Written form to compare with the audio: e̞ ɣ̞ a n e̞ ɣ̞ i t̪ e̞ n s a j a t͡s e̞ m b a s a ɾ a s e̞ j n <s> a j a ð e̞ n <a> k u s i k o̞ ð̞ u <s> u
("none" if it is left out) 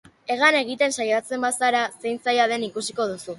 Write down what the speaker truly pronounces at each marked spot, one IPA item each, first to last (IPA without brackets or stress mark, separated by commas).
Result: t͡s, i, s